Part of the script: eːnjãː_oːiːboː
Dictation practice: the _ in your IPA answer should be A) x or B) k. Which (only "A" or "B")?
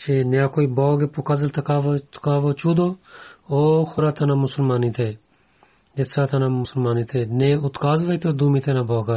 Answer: B